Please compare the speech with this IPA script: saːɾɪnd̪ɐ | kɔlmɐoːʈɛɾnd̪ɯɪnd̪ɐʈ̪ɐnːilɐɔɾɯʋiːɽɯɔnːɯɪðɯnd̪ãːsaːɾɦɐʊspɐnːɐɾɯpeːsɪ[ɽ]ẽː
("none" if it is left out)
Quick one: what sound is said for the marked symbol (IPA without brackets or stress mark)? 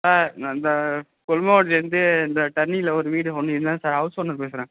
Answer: ɾ